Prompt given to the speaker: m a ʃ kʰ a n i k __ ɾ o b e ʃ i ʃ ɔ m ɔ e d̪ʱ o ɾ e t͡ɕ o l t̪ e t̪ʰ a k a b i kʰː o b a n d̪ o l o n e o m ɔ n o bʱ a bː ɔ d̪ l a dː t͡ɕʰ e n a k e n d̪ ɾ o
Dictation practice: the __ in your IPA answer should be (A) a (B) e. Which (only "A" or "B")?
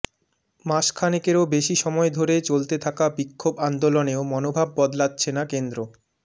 B